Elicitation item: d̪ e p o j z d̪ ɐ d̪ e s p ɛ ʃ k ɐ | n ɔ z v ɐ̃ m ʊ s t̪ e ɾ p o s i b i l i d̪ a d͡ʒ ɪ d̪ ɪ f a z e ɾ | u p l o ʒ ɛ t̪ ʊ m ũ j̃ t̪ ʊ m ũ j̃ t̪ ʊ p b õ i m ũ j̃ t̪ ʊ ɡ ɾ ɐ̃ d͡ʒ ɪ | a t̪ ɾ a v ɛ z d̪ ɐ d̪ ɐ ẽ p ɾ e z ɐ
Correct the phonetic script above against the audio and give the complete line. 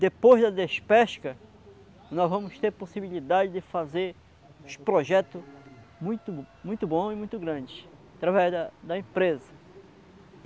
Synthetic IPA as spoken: d̪ e p o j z d̪ ɐ d̪ e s p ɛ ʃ k ɐ | n ɔ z v ɐ̃ m ʊ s t̪ e ɾ p o s i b i l i d̪ a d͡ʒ ɪ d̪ ɪ f a z e ɾ | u p ɾ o ʒ ɛ t̪ ʊ m ũ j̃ t̪ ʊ m ũ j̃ t̪ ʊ b õ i m ũ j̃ t̪ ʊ ɡ ɾ ɐ̃ d͡ʒ ɪ | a t̪ ɾ a v ɛ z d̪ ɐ d̪ ɐ ẽ p ɾ e z ɐ